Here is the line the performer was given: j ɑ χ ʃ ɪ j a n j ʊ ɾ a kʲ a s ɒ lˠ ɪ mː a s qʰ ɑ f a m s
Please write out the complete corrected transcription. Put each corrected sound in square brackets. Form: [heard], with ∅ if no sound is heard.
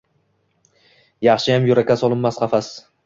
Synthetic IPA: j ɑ χ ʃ ɪ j a [m] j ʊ ɾ a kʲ a s ɒ lˠ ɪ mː a s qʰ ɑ f a [∅] s